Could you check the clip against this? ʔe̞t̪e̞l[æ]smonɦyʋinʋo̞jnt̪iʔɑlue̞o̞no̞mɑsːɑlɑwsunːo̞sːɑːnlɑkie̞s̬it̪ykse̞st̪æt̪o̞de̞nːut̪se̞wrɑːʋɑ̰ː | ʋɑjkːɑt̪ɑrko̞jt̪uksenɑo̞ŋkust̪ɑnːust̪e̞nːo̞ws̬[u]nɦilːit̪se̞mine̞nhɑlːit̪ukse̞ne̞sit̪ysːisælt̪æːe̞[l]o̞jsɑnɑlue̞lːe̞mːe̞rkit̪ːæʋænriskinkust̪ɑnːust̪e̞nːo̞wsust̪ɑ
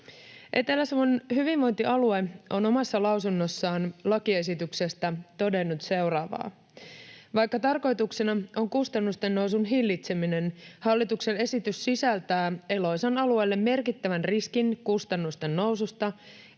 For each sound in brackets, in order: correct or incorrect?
correct, correct, correct

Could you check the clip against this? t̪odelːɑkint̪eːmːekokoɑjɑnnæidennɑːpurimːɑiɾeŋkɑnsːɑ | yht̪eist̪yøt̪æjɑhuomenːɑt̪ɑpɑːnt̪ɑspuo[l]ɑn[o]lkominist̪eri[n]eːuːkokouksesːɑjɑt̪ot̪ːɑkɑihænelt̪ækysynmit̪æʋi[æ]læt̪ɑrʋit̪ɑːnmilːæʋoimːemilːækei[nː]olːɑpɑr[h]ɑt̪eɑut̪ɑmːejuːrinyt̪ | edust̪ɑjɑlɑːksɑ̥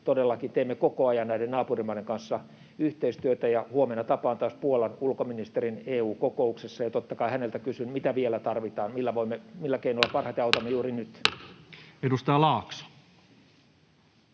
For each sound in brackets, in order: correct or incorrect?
correct, incorrect: u, correct, incorrect: e, incorrect: n, correct

